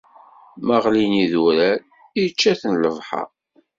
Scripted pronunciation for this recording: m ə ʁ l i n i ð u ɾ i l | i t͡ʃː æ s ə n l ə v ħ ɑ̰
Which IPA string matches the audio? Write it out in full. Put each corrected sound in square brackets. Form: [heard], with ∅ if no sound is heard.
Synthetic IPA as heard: m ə ʁ l i n i ð u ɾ [æ] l | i t͡ʃː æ [θ] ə n l ə v ħ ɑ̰